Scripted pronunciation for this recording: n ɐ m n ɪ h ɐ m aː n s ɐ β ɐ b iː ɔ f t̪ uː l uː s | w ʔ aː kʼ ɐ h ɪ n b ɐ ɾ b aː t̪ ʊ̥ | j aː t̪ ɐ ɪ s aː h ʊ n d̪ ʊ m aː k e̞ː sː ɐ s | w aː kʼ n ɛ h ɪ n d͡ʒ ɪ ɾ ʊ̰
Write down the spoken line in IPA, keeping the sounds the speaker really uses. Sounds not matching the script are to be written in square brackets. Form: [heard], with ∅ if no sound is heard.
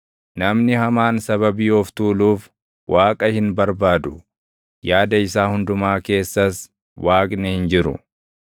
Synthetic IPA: n ɐ m n ɪ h ɐ m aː n s ɐ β ɐ b iː ɔ f t̪ uː l uː [f] | w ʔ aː kʼ ɐ h ɪ n b ɐ ɾ b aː [d̪] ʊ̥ | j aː [d̪] ɐ ɪ s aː h ʊ n d̪ ʊ m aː k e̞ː sː ɐ s | w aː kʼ n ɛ h ɪ n d͡ʒ ɪ ɾ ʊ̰